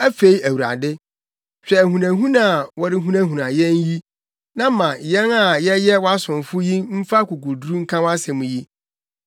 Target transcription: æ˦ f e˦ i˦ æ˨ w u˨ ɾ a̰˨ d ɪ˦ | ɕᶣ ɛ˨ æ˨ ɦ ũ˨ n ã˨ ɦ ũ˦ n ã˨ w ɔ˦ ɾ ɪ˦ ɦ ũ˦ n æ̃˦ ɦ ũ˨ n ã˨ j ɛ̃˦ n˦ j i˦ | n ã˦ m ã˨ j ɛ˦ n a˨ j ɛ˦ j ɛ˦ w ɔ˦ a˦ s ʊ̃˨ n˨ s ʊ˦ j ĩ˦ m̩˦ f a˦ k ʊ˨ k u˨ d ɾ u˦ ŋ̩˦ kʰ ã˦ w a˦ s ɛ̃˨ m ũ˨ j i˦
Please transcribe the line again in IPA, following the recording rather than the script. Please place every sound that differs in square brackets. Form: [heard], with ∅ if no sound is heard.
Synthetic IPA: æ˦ f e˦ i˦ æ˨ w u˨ ɾ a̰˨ d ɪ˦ | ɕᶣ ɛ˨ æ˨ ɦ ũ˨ n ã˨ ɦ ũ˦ n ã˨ w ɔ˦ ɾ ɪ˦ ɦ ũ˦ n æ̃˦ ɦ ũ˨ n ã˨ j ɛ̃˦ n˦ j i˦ | n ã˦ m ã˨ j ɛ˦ n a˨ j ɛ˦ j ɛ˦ w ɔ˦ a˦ s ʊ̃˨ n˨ [f] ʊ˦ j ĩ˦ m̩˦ f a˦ k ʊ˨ k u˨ d ɾ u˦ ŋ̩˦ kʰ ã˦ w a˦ s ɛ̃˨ m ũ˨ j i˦